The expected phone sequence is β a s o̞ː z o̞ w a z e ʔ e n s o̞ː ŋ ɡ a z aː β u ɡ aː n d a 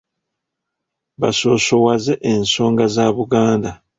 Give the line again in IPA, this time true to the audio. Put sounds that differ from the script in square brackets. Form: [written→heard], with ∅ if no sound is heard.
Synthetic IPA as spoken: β a s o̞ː [z→s] o̞ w a z e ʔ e n s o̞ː ŋ ɡ a z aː β u ɡ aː n d a